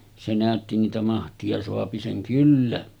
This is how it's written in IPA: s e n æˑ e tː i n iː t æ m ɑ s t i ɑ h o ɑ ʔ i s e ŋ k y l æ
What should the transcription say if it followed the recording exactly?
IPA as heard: s e n æˑ ø tː i n iː t æ m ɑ h t i ɑ s o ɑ p i s e ŋ k y lː æ

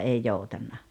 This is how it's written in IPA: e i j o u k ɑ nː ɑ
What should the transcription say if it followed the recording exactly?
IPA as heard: e i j o u t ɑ nː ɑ

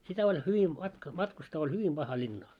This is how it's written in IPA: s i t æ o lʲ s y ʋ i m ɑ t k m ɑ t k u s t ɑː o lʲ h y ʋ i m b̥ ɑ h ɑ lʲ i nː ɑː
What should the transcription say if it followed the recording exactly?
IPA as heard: s i t æ o lʲ h y ʋ i m ɑ t k m ɑ t k u s t ɑː o lʲ h y ʋ i m b̥ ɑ h ɑ lʲ i nː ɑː

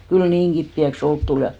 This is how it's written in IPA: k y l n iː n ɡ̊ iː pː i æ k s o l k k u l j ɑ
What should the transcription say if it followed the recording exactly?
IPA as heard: k y l n iː ŋ ɡ̊ i pː i æ k s o l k t u l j ɑ

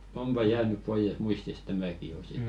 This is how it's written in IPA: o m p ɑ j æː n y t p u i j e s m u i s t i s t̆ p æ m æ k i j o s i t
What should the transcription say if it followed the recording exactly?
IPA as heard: o m p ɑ j æː n y p p o i j e s m u i s t i s t̆ t æ m æ k i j o s i t

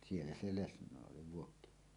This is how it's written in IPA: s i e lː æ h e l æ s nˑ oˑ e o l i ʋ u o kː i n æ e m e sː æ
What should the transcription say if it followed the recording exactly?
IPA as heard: s i e lː æ s e l e s nˑ oˑ e o l i ʋ u o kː i n i e m e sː æ

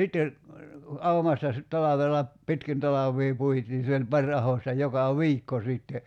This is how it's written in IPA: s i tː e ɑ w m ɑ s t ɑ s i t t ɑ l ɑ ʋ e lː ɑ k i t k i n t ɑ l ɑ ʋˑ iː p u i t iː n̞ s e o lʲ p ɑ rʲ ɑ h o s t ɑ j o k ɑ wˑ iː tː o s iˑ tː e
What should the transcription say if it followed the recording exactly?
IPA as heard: s i tː e ɑ u m ɑ s t ɑ s i t t ɑ l ɑ ʋ e lː ɑ p i t k i n t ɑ l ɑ ʋˑ iː p u i t iː n̞ s e o lʲ p ɑ rʲ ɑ h o s t ɑ j o k ɑ wˑ iː kː o s iˑ tː e

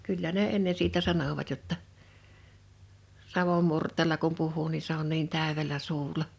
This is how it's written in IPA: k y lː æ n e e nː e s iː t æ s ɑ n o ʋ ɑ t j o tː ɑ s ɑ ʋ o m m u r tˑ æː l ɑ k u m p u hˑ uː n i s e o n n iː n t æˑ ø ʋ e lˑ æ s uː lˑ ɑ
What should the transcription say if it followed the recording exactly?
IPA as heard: k y lː æ n e e nː e s iː t æ s ɑ n o ʋ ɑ t j o tː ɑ s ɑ ʋ o m m u r tˑ eː l ɑ k u m p u hˑ uː n i s e o n n iː n t æˑ ø ʋ e lˑ æ s uː lˑ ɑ

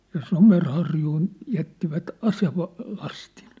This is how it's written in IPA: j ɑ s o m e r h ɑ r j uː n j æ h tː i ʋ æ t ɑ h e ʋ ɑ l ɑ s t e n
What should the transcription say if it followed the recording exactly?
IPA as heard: j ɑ s o m e r h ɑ r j uː n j æ tː i ʋ æ t ɑ s e ʋ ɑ l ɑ s t i n

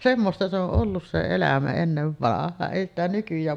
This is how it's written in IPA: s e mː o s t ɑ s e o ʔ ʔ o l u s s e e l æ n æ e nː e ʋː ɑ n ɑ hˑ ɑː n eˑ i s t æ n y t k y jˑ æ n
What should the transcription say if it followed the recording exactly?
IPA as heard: s e mː o s t ɑ s e o ʔ ʔ o lː u s s e e l æ m æ e nː e ʋː ɑ n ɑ hˑ ɑː n eˑ i s t æ n y k y jˑ æː n

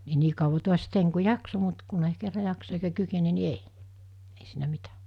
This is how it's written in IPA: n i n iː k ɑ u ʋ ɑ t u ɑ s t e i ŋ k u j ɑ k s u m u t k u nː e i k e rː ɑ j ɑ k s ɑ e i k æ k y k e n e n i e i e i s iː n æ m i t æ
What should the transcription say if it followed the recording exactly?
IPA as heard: n i n iː k ɑ u ʋ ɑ t u ɑ s t e i ŋ k u j ɑ k s o m u t k u n e i k e rː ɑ j ɑ k s ɑ e i k æ k y k e n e n i e i e i s iː n æ m i t æ

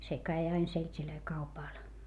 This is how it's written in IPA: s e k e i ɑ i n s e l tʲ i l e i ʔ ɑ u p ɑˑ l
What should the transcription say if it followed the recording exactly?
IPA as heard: s e k æ i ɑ i n s e l tʲ i l ø i k ɑ u p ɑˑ l

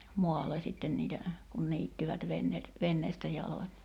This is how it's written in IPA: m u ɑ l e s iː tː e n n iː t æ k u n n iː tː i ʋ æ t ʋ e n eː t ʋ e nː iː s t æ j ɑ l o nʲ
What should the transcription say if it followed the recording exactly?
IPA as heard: m o ɑ lː e s i tː e n n iː t æ k u n n iː tː i ʋ æ t ʋ e nː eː t ʋ e nː eː s t æ j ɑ l o nʲ

